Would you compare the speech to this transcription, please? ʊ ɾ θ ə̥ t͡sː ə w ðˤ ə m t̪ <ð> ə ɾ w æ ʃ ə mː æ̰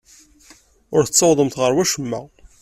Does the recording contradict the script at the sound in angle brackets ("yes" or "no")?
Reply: yes